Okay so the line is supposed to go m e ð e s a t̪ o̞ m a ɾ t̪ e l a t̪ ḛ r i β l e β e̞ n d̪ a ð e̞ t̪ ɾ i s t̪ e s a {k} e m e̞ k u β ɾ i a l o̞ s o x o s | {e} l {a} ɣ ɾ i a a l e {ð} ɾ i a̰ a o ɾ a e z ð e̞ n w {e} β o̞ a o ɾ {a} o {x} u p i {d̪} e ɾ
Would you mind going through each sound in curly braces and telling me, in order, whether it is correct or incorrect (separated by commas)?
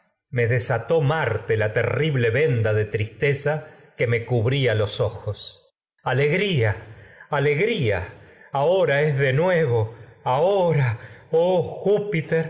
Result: correct, incorrect, incorrect, incorrect, correct, correct, correct, incorrect